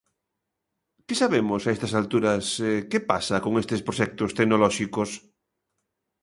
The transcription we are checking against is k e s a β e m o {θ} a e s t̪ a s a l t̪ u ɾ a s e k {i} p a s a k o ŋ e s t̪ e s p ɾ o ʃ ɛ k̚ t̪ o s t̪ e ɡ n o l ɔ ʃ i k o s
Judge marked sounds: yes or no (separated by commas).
no, no